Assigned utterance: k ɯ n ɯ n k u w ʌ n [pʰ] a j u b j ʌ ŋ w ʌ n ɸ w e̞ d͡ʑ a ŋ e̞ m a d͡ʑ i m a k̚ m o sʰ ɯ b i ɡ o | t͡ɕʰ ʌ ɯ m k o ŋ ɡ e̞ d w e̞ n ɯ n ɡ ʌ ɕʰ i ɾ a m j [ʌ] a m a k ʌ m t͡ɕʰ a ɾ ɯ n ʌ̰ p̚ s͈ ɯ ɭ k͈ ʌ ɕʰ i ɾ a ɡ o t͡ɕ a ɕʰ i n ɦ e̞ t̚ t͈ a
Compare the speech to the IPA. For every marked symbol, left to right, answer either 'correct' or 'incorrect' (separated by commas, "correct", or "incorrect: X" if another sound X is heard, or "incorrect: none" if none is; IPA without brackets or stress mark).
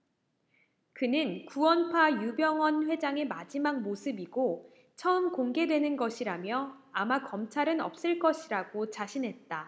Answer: correct, correct